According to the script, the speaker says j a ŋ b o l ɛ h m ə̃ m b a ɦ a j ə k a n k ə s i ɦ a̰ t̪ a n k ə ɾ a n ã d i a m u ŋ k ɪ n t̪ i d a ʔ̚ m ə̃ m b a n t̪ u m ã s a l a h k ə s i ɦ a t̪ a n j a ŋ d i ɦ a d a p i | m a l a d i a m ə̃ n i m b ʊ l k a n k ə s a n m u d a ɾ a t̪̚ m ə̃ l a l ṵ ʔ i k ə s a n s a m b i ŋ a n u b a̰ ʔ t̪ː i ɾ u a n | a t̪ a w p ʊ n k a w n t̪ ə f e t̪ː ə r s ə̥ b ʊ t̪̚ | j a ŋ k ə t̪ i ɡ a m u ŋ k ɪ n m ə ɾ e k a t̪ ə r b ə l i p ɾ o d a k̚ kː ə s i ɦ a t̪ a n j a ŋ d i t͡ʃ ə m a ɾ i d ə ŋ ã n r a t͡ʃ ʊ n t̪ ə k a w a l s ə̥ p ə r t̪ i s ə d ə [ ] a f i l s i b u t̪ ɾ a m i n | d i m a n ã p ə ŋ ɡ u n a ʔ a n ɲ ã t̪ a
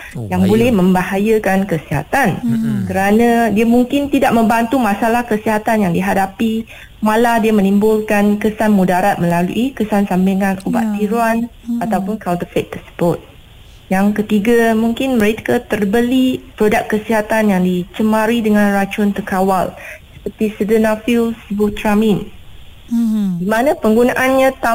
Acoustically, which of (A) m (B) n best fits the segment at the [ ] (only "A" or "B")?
B